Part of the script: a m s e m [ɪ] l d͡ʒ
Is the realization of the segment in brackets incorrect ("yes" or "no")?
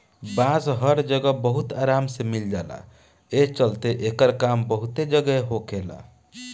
yes